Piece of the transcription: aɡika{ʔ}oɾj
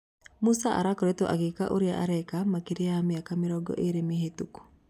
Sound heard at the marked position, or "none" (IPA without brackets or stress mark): ʔ